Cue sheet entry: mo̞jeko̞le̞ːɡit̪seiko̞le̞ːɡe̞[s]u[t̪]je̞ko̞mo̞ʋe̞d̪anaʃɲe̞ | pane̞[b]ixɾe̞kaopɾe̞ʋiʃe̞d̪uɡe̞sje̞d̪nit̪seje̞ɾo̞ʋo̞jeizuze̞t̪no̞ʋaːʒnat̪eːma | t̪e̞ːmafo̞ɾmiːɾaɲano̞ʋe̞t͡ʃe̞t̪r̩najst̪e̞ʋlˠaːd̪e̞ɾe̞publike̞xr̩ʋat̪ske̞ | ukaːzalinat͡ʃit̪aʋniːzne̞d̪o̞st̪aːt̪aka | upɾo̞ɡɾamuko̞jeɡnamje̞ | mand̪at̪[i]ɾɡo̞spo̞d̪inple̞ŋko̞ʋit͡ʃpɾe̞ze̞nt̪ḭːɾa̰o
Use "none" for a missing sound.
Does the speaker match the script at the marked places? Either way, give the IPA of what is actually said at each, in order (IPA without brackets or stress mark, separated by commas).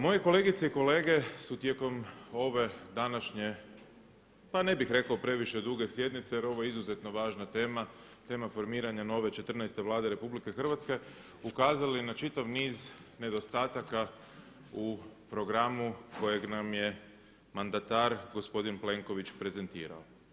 s, t̪, b, a